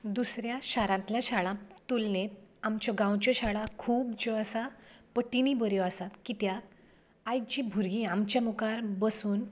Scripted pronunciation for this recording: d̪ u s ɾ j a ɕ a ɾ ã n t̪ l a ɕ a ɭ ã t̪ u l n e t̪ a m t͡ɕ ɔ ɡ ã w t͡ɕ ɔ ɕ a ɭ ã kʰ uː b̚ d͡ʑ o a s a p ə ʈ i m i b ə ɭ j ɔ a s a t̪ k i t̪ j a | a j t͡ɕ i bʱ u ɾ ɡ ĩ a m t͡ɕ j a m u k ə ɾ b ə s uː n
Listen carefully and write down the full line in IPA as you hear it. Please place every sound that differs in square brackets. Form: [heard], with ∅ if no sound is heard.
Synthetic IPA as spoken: d̪ u s ɾ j a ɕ a ɾ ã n t̪ l a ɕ a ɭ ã t̪ u l n e t̪ a m t͡ɕ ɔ ɡ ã w t͡ɕ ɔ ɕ a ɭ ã kʰ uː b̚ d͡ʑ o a s a p ə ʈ i [n] i b ə [ɾ] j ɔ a s a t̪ k i t̪ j a | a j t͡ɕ i bʱ u ɾ ɡ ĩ a m t͡ɕ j a m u k [a] ɾ b ə s uː n